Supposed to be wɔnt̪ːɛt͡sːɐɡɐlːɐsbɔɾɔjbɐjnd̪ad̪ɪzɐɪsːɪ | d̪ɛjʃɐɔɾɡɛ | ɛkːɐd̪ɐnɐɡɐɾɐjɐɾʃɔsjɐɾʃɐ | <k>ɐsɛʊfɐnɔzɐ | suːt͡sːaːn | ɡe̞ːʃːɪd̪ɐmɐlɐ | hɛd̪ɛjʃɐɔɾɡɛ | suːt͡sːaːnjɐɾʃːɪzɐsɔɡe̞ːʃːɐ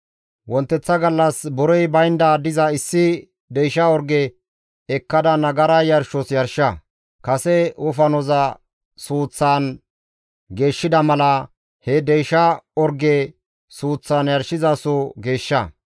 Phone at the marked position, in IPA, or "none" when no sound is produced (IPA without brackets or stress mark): k